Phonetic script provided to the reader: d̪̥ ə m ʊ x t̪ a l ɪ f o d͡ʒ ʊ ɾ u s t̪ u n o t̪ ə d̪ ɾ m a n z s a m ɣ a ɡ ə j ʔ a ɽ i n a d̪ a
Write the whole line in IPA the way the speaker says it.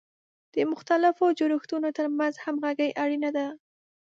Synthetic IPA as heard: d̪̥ ə m ʊ x t̪ a l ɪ f o d͡ʒ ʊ ɾ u x t̪ u n o t̪ ə ɾ m a n z h a m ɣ a ɡ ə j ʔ a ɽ i n a d̪ a